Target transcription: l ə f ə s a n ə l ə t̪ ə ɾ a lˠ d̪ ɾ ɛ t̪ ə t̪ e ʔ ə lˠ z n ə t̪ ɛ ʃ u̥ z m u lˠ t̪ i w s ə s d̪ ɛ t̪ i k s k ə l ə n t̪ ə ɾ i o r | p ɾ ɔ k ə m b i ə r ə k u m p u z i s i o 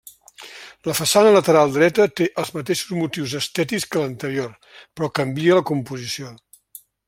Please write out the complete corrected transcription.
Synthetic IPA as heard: l ə f ə s a n ə l ə t̪ ə ɾ a lˠ d̪ ɾ ɛ t̪ ə t̪ e ʔ ə lˠ z m ə t̪ e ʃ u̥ z m u t̪ i w z ə s t̪ ɛ t̪ i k s k ə l ə n t̪ ə ɾ i o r | p ɾ ɔ k ə m b i ə l ə k u m p u z i s i o